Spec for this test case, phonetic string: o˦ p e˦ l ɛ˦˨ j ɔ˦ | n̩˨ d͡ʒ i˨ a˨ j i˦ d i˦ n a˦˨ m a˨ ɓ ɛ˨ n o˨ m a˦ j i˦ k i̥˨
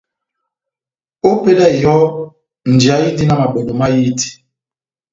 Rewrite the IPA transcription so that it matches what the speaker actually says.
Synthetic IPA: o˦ p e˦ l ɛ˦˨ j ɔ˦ | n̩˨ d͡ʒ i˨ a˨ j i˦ d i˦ n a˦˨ m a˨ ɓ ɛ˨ n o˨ m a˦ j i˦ t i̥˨